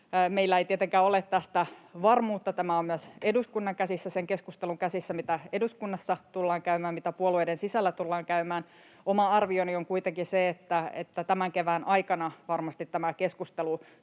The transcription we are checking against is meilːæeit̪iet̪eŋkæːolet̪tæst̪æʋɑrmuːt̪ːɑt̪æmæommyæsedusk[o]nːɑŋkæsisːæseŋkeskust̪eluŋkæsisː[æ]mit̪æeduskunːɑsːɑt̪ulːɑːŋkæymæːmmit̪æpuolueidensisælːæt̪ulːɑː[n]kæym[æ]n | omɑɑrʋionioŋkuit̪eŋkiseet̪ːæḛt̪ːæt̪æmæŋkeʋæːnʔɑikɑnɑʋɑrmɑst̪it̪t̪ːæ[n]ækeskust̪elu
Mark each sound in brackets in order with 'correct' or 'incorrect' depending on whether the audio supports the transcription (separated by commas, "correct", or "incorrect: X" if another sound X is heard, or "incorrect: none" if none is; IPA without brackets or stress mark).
incorrect: u, correct, incorrect: ŋ, incorrect: æː, incorrect: m